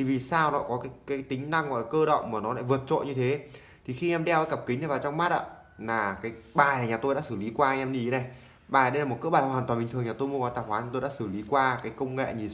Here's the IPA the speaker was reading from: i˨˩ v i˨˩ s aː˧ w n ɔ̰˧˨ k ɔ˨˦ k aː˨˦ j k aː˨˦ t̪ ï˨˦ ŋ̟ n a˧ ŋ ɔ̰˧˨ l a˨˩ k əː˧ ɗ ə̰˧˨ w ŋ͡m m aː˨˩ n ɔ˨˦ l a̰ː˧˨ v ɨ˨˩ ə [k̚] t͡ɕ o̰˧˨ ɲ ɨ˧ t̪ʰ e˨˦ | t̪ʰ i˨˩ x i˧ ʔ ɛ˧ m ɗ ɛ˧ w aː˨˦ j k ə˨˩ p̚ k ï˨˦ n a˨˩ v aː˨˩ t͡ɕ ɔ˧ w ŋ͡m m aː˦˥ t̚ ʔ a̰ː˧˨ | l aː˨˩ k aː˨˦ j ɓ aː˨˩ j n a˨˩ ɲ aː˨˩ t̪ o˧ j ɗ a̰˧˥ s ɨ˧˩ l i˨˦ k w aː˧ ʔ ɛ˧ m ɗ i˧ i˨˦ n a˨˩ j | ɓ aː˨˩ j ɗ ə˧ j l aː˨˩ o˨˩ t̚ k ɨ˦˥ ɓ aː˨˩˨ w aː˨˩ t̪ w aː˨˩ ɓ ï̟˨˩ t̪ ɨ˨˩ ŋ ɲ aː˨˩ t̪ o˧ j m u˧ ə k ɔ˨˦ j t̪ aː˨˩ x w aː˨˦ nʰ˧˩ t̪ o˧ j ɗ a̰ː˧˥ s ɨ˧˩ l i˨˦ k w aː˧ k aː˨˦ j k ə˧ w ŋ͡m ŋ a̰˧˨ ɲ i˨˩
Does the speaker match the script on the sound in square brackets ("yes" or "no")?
no